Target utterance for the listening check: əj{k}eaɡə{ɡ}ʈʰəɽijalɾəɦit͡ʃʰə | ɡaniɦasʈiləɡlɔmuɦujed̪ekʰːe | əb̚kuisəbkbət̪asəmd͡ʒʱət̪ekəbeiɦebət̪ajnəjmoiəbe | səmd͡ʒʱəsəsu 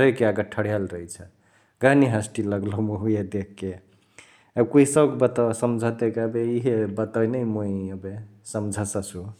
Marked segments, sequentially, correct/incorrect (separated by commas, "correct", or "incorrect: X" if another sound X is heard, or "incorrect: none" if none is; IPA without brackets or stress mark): correct, incorrect: none